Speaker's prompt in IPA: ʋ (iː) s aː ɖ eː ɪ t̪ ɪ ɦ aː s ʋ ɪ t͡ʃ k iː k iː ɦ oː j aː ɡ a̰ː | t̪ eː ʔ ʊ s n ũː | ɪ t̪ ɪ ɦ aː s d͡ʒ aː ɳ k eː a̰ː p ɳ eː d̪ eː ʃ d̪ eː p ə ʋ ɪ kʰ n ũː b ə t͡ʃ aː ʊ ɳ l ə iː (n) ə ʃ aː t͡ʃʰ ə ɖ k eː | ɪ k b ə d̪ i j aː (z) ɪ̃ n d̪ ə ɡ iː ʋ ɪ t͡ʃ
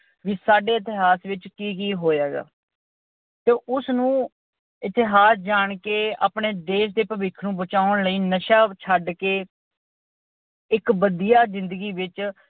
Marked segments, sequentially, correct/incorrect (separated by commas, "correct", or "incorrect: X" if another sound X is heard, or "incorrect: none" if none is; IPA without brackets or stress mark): correct, correct, correct